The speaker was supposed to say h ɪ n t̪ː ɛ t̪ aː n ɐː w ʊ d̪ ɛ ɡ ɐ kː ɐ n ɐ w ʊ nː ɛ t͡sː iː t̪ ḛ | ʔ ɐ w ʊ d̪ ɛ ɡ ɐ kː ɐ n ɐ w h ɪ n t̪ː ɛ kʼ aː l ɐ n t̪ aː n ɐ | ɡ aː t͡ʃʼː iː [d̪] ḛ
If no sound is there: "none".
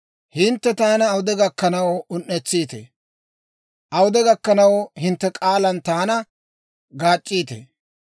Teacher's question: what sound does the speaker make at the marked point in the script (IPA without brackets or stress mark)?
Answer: t̪